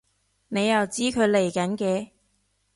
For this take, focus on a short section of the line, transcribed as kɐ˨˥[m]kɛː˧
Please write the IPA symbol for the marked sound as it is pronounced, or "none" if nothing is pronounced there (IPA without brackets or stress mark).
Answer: n